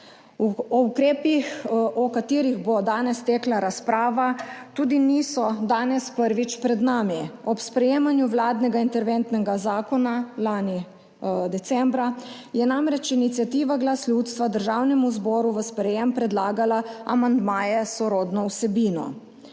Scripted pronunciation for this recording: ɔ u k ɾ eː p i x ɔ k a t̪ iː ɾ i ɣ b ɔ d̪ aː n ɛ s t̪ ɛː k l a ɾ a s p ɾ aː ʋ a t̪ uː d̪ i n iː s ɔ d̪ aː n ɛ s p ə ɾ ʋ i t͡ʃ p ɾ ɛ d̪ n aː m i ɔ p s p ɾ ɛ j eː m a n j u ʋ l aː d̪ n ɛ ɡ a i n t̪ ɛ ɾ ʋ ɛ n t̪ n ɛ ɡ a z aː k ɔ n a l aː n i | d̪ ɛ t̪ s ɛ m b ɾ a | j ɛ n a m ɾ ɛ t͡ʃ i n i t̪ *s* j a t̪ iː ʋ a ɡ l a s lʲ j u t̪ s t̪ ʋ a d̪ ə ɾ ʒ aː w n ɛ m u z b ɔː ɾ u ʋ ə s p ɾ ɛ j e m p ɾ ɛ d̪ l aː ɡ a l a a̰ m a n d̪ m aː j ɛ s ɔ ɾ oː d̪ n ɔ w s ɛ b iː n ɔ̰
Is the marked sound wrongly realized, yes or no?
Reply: no